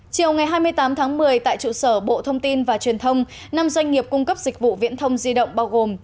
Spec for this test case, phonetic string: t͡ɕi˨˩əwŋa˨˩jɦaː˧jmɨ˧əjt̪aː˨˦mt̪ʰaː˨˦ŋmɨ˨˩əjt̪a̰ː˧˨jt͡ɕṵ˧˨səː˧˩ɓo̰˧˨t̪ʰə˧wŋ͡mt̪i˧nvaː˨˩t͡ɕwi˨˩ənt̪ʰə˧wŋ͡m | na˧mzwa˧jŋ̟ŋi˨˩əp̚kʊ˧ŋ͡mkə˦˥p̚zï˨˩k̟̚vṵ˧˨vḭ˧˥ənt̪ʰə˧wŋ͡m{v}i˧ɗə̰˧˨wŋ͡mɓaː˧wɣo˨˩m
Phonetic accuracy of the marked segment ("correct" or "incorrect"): incorrect